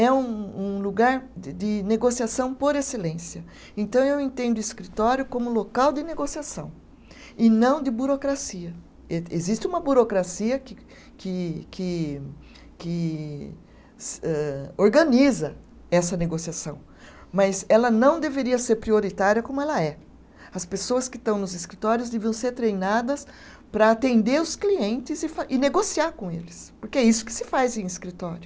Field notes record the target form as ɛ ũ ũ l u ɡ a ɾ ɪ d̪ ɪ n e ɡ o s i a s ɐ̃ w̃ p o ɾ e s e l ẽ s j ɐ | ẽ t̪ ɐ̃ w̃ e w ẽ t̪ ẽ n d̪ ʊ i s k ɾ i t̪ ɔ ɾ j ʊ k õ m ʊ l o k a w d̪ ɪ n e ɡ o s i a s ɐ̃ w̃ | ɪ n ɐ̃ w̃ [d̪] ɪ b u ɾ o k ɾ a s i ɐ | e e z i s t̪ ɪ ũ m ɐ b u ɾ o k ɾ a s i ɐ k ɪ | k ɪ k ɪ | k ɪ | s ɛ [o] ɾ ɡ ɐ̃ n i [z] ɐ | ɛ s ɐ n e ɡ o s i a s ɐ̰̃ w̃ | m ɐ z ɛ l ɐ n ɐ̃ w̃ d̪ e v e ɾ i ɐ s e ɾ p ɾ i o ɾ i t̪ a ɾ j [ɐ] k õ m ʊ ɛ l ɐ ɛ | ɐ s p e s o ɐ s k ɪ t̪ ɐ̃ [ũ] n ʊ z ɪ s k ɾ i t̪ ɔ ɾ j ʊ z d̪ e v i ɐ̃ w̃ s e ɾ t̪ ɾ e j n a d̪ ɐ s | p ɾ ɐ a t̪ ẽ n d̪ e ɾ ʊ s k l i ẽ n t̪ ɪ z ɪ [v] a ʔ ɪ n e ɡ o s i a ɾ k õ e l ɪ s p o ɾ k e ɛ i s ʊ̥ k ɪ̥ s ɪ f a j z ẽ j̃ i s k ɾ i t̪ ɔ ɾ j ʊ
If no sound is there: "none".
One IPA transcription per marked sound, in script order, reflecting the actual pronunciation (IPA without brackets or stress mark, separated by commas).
d̪, o, z, ɐ, w̃, f